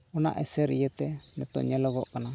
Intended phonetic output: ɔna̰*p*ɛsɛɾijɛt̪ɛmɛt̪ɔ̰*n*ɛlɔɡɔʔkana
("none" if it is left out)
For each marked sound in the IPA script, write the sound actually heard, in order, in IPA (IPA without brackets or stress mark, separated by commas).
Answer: ʔ, ɲ